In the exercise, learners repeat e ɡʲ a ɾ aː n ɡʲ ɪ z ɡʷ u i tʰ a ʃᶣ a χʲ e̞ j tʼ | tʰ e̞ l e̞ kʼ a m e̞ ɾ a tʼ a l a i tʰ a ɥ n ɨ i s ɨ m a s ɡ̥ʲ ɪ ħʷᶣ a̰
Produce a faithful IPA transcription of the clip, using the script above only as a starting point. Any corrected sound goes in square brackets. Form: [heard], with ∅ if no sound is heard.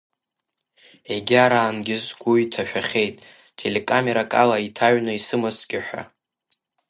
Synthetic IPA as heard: e ɡʲ a ɾ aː n ɡʲ ɪ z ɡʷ u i tʰ a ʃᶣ a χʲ e̞ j tʼ | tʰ e̞ l e̞ kʼ a m e̞ ɾ a [kʼ] a l a i tʰ a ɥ n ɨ i s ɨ m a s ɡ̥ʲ ɪ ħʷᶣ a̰